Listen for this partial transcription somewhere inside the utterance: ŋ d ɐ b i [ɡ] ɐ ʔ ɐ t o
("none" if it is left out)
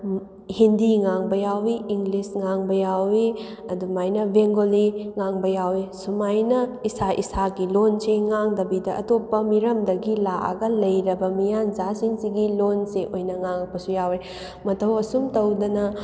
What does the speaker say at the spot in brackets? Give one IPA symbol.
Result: d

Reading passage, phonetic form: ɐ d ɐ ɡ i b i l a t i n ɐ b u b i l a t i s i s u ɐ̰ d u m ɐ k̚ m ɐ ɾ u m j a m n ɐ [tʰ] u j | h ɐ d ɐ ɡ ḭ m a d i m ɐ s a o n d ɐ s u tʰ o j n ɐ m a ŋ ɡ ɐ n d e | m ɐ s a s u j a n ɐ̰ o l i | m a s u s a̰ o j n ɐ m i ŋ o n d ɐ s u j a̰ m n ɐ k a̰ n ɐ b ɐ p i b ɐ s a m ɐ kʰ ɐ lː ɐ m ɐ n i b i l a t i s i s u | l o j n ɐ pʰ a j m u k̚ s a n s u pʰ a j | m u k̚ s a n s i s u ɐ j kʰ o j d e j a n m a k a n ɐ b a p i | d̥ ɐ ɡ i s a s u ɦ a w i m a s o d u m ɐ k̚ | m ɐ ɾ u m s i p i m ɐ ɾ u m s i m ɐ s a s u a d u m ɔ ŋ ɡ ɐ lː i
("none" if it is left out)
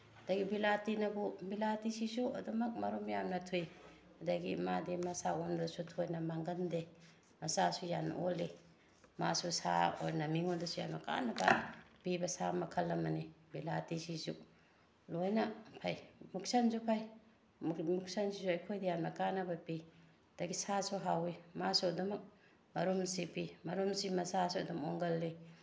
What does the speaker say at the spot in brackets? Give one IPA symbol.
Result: tʰ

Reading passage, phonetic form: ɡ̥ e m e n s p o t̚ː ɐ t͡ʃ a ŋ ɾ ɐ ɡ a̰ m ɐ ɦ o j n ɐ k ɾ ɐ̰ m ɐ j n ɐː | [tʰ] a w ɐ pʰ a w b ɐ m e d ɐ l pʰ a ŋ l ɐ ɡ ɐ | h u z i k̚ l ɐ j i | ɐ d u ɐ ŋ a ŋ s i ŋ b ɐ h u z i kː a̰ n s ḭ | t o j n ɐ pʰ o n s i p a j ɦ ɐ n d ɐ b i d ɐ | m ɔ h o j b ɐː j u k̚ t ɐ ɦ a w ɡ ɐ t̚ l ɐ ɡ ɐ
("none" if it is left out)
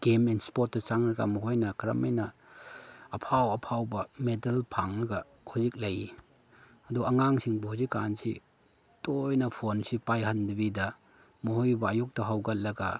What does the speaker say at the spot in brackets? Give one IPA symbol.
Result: pʰ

